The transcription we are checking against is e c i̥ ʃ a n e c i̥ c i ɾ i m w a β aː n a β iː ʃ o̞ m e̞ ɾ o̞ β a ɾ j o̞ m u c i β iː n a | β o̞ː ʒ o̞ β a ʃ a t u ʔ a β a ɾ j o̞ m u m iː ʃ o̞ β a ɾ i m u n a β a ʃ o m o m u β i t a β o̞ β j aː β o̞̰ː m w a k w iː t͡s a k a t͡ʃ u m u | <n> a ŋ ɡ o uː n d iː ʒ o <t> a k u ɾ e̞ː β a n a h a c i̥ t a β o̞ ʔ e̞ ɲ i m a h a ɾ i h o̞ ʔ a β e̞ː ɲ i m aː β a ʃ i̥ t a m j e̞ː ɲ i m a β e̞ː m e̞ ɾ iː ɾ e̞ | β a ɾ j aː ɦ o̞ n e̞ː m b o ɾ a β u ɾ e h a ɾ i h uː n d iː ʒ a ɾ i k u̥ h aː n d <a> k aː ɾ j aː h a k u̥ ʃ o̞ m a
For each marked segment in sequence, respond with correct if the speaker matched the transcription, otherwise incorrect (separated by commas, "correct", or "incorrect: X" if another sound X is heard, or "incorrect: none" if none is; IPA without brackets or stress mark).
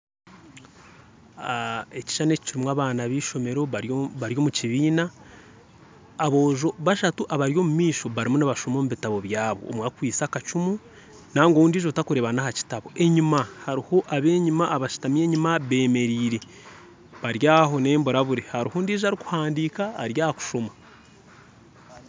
correct, correct, incorrect: i